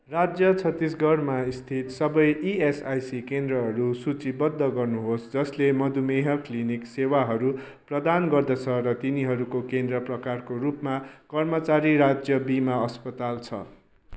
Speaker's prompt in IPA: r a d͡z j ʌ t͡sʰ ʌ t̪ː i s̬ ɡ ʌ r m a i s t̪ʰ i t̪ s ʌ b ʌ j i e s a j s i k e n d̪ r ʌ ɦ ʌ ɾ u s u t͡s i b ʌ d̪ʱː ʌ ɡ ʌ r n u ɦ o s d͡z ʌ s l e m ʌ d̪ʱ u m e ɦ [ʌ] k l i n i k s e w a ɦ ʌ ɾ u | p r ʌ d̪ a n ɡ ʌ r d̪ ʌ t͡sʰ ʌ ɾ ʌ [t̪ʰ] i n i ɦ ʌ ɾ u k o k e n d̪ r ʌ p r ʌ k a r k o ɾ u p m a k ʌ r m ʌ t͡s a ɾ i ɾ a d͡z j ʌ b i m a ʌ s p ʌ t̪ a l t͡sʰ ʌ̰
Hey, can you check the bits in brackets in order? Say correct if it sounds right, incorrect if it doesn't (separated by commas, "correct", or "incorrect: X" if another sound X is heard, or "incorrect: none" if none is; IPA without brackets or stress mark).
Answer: correct, incorrect: t̪